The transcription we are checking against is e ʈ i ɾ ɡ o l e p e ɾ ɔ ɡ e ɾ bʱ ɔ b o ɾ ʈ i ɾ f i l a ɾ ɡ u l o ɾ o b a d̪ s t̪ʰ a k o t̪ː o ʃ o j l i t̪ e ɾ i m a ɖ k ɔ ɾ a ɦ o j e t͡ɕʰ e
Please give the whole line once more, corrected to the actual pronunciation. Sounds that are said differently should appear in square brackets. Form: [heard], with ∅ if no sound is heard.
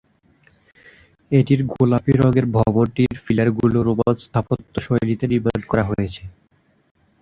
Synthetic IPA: e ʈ i ɾ ɡ o l [a] p [i] ɾ ɔ ɡ e ɾ bʱ ɔ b o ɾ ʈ i ɾ f i l a ɾ ɡ u l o ɾ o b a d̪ s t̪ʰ a [p] o t̪ː o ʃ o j l i t̪ e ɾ i [b] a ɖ k ɔ ɾ a ɦ o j e t͡ɕʰ e